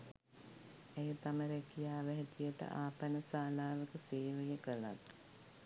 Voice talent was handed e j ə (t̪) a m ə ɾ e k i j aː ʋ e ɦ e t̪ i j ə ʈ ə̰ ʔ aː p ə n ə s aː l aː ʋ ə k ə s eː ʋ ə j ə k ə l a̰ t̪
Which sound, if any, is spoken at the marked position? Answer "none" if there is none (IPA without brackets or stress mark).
t̪